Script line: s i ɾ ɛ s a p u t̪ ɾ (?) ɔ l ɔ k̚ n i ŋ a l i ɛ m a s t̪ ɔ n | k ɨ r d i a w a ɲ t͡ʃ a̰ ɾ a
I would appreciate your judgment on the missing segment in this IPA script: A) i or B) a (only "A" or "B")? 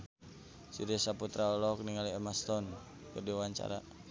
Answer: B